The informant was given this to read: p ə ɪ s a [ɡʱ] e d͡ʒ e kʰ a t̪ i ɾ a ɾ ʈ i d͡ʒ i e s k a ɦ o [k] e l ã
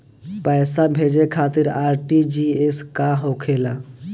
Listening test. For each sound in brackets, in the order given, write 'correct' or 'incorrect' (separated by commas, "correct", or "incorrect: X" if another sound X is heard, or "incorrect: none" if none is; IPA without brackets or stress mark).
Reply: incorrect: bʱ, incorrect: kʰ